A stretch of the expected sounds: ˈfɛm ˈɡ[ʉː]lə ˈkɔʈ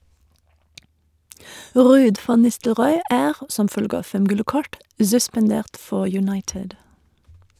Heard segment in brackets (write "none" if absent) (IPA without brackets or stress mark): ʉ